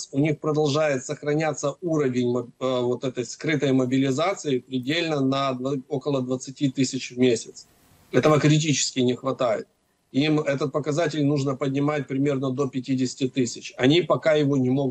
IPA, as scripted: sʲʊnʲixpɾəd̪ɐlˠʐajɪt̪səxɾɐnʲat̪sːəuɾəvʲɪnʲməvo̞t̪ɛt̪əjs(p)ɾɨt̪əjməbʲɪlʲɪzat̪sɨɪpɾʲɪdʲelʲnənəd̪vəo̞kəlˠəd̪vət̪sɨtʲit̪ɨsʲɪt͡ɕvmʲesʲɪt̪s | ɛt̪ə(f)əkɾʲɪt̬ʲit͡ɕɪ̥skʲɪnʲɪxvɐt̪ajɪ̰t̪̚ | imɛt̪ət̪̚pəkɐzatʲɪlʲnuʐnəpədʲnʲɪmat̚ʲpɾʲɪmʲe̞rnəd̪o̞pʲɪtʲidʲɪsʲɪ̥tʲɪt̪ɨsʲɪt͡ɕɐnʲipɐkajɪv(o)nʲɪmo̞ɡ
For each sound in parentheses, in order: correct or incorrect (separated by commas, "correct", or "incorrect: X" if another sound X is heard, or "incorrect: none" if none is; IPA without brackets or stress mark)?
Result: incorrect: k, incorrect: v, correct